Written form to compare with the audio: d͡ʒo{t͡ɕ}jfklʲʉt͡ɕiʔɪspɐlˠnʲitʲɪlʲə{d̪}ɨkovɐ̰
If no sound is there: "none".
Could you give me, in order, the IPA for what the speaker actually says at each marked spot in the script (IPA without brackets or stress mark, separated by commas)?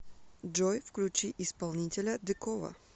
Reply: none, d̪